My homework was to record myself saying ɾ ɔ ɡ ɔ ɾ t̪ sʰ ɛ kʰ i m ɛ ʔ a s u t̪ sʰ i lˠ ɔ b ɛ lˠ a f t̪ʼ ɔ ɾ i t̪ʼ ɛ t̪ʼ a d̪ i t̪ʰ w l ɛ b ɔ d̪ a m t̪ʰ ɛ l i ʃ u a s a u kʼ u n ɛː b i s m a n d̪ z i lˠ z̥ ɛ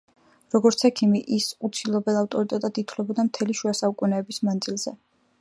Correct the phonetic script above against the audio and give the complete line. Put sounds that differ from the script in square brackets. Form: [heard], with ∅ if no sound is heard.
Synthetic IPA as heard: ɾ ɔ ɡ ɔ ɾ t̪ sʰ ɛ kʰ i m [i] ʔ [i] s u t̪ sʰ i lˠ ɔ b ɛ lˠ a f t̪ʼ ɔ ɾ i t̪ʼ ɛ t̪ʼ a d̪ i t̪ʰ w l ɛ b ɔ d̪ a m t̪ʰ ɛ l i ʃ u a s a u kʼ u n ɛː b i s m a n d̪ z i lˠ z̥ ɛ